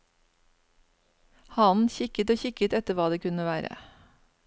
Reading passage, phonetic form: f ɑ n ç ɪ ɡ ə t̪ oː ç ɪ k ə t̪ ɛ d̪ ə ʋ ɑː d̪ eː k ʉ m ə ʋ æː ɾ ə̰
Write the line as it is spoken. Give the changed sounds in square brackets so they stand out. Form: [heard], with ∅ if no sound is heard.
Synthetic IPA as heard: [h] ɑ n ç ɪ [k] ə t̪ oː ç ɪ k ə t̪ ɛ [t̪] ə ʋ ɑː d̪ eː k ʉ [n] ə ʋ æː ɾ ə̰